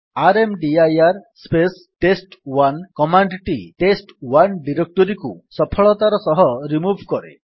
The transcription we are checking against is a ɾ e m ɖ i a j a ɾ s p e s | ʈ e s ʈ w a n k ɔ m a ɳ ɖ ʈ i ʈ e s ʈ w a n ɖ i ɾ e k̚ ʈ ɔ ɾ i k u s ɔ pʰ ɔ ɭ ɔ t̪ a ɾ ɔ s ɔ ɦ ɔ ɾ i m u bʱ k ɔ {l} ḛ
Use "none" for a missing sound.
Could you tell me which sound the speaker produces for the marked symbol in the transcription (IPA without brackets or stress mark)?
ɾ